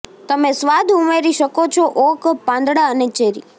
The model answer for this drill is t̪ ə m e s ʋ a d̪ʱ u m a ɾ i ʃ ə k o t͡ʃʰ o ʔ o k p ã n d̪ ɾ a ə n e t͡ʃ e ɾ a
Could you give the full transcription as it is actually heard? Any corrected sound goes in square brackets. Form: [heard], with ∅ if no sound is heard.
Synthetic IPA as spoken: t̪ ə m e s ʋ a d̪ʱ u m [e] ɾ i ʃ ə k o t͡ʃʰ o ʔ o k p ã n d̪ [ɽ] a ə n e t͡ʃ e ɾ [i]